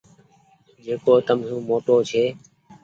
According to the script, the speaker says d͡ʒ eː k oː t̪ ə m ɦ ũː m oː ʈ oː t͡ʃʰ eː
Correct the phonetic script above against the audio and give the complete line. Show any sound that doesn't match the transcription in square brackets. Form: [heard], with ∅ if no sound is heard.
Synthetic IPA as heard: d͡ʒ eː k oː t̪ ə m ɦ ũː m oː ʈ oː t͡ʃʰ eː